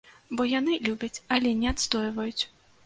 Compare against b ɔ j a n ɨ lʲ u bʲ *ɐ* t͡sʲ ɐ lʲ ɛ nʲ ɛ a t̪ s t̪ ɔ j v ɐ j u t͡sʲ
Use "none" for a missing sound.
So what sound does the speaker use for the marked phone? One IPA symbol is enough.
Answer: ɐ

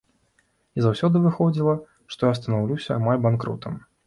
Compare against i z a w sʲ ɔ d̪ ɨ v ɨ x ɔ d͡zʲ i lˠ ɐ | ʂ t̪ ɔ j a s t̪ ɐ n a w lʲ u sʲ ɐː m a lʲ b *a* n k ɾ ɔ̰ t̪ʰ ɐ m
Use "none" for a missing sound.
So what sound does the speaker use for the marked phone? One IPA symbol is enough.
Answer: a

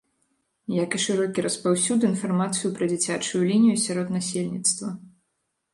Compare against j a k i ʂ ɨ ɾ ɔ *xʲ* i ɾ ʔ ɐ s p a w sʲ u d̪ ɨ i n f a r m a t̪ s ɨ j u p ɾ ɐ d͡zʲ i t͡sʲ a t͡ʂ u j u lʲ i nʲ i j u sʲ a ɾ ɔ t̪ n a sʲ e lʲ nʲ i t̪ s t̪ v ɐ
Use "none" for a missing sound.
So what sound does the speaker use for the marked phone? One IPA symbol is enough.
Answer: kʲ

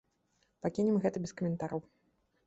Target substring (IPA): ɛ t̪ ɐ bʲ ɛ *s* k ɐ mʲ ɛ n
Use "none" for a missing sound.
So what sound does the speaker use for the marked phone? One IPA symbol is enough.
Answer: s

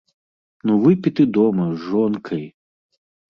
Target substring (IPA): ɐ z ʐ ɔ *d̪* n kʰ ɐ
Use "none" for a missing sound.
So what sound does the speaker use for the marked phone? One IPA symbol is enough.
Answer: none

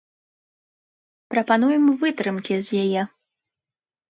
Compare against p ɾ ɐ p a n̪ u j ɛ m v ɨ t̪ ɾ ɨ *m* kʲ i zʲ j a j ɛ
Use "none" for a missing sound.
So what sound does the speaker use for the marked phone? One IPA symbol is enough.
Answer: m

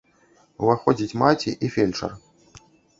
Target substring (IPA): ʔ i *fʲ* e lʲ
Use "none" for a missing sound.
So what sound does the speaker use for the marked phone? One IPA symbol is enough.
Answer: fʲ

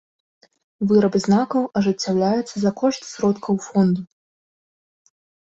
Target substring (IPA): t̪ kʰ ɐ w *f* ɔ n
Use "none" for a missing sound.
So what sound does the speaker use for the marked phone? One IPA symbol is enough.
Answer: f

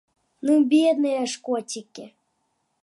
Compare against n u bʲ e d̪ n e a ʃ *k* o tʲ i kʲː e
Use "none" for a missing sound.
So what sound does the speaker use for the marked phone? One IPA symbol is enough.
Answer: k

